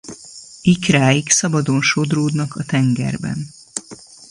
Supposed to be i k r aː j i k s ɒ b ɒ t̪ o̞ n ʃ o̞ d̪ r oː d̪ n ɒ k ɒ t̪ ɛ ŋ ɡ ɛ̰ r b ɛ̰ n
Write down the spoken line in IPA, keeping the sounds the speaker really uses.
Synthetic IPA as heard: i k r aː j i k s ɒ b ɒ d̪ o̞ n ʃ o̞ d̪ r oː d̪ n ɒ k ɒ t̪ ɛ ŋ ɡ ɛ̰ r b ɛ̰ n